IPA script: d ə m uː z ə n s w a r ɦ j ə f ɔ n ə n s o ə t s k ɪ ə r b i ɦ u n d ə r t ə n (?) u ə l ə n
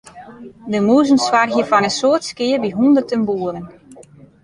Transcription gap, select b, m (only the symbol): b